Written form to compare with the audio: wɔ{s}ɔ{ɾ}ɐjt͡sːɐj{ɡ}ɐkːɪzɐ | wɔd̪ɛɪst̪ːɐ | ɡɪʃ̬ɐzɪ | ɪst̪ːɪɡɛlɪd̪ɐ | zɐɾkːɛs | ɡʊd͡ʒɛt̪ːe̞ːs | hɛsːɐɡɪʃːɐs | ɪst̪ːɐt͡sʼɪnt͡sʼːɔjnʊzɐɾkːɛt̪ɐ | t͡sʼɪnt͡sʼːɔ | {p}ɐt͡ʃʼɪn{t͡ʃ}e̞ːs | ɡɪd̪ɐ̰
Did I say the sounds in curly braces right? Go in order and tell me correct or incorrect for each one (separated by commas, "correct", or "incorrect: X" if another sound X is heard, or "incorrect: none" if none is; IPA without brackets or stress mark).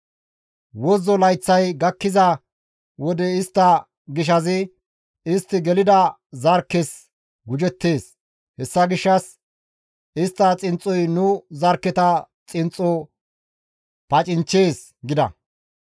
incorrect: z, incorrect: l, correct, correct, correct